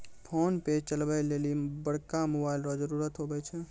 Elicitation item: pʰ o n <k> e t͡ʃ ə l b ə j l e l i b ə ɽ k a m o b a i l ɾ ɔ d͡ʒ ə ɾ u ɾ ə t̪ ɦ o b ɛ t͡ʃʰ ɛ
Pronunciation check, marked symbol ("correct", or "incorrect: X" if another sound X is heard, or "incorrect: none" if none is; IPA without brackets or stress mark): incorrect: p